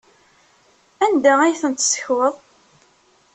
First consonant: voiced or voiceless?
voiced